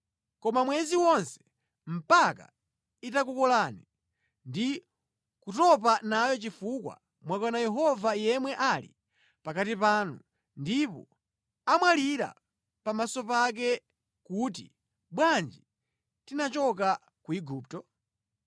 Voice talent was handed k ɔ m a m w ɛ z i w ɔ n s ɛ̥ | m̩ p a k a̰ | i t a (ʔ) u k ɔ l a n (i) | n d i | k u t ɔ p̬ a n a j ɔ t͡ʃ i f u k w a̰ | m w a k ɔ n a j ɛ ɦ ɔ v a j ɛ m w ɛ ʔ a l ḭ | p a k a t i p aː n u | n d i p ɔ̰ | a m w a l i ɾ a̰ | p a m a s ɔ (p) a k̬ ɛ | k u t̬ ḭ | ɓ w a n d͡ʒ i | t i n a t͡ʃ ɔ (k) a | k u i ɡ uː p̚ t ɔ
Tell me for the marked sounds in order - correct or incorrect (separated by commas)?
incorrect, correct, correct, correct